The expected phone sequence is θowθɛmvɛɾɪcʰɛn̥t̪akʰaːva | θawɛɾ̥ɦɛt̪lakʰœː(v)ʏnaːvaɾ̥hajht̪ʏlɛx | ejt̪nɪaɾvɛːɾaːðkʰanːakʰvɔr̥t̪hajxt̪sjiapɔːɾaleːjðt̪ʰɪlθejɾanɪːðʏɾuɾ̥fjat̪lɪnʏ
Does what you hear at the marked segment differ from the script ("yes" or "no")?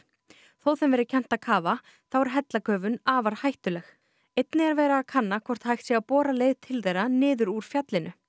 no